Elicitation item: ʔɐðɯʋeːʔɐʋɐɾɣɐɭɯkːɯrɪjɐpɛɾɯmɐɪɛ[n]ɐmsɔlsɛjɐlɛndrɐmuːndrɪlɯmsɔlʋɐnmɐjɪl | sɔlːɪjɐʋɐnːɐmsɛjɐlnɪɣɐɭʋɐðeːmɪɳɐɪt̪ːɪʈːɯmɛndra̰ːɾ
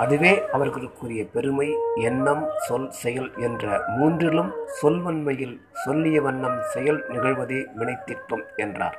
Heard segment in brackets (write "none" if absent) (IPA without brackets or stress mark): nː